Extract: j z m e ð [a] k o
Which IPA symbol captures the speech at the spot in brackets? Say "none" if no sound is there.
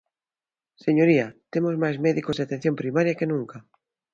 i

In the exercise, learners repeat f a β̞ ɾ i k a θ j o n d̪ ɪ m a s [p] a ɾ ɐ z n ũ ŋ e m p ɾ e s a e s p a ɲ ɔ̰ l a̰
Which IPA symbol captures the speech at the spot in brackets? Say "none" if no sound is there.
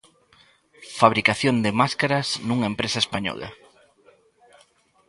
k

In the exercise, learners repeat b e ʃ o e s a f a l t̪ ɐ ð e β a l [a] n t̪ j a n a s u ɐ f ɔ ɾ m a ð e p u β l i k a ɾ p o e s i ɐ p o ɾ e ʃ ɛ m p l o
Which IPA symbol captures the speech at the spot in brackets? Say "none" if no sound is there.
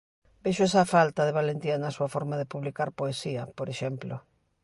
e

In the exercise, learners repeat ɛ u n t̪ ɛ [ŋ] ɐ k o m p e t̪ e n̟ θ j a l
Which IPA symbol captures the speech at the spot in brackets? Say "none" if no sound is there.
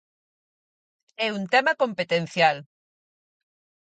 m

